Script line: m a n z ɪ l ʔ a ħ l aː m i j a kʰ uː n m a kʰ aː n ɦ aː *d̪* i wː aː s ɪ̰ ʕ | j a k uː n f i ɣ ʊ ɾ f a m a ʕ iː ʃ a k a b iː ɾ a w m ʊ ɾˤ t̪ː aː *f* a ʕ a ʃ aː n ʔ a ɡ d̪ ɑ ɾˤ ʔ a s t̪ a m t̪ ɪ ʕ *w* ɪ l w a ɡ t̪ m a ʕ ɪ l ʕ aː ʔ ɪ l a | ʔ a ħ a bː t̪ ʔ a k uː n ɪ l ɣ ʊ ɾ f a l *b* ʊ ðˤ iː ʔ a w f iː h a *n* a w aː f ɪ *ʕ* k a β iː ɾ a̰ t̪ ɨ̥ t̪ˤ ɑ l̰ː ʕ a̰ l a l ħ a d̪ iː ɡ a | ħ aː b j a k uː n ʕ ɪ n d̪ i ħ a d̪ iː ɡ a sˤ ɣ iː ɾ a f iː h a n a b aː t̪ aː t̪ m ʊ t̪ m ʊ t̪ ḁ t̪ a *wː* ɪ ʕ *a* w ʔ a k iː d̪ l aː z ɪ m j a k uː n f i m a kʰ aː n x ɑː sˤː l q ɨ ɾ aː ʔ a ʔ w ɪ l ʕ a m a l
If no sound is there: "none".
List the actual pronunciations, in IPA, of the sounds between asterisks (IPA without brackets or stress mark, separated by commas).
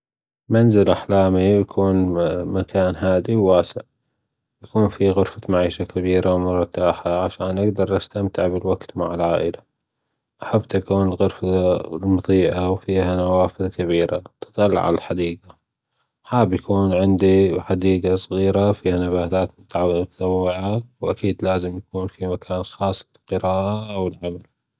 d̪, ħ, b, m, n, ð, wː, a